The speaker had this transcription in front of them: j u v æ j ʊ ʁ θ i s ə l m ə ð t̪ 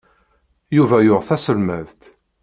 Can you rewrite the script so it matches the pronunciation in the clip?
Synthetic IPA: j u v æ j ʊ ʁ θ æ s ə l m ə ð t̪